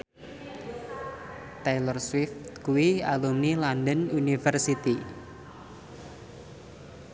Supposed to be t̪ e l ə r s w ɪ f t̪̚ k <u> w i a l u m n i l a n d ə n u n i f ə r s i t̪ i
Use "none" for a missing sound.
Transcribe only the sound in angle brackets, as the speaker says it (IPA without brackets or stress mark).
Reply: u